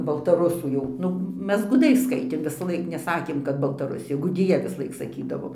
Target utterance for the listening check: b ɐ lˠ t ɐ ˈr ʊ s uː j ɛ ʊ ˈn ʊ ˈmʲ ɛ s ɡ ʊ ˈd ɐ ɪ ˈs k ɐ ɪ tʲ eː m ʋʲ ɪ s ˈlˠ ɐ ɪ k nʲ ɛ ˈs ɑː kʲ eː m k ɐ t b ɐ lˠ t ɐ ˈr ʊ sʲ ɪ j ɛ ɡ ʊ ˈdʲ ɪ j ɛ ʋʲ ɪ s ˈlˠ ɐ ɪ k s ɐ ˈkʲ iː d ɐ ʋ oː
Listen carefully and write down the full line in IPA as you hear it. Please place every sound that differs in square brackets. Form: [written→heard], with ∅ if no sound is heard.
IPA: b ɐ lˠ t ɐ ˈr ʊ s uː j ɛ ʊ ˈn ʊ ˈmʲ ɛ s ɡ ʊ ˈd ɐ ɪ ˈs k ɐ ɪ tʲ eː m ʋʲ ɪ s ˈlˠ ɐ ɪ k nʲ ɛ ˈs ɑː kʲ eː m k ɐ t b ɐ lˠ t ɐ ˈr ʊ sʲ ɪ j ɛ ɡ ʊ ˈdʲ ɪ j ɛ ʋʲ ɪ s ˈlˠ ɐ ɪ k s ɐ ˈkʲ iː d ɐ ʋ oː